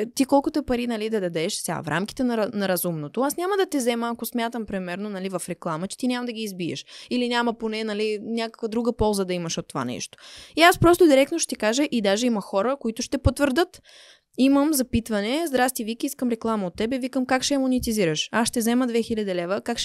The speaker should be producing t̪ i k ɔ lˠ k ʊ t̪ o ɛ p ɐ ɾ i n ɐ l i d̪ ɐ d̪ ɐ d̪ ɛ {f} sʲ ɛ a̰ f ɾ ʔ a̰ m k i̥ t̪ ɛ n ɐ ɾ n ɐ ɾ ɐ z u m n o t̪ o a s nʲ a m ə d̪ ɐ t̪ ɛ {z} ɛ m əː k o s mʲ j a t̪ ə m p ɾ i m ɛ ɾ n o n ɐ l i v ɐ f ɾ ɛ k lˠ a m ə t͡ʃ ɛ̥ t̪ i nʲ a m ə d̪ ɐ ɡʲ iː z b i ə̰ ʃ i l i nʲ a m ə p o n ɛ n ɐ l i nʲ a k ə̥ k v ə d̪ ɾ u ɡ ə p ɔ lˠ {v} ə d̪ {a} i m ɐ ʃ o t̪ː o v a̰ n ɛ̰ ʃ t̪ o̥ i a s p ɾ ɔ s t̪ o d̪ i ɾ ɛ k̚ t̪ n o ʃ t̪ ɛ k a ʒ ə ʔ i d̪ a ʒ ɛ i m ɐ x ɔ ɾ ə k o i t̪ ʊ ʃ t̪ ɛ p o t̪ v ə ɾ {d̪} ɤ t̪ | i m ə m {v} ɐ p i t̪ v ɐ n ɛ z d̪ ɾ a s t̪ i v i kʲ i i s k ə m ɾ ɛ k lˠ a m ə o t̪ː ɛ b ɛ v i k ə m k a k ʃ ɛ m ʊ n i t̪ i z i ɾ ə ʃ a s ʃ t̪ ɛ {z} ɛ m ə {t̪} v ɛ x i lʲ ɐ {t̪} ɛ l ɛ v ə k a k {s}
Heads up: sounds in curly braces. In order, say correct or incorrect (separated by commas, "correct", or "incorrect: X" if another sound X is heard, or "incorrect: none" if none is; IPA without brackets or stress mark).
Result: incorrect: ʃ, correct, incorrect: z, incorrect: ɐ, correct, incorrect: z, correct, incorrect: d̪, incorrect: d̪, incorrect: ʃ